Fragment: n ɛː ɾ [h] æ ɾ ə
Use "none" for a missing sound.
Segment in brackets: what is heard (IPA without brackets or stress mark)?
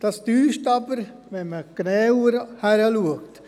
h